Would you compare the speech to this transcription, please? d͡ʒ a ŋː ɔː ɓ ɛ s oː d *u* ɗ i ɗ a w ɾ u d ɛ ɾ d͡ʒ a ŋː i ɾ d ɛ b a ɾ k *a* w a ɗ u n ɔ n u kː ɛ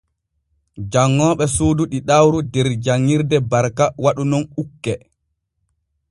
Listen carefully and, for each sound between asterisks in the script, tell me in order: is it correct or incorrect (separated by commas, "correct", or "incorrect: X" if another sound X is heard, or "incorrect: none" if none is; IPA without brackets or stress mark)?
correct, correct